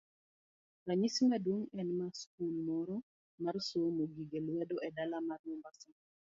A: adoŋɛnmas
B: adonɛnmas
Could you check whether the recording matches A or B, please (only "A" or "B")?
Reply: A